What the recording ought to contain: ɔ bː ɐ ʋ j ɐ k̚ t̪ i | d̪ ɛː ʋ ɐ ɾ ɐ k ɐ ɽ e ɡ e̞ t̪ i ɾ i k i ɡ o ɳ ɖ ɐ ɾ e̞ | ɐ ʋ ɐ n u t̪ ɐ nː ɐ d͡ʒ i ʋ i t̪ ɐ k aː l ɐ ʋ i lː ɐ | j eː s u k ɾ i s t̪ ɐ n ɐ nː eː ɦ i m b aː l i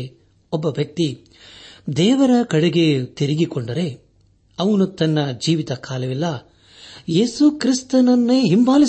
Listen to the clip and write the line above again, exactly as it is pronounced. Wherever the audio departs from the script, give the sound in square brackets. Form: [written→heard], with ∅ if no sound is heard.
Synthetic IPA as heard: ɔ bː ɐ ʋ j ɐ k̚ t̪ i | d̪ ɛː ʋ ɐ ɾ ɐ k ɐ ɽ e ɡ e̞ t̪ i ɾ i [k→ɡ] i [ɡ→k] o ɳ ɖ ɐ ɾ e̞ | ɐ ʋ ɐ n u t̪ ɐ nː ɐ d͡ʒ [i→iː] ʋ i t̪ ɐ k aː l ɐ ʋ i lː ɐ | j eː s u k ɾ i s t̪ ɐ n ɐ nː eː ɦ i m b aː l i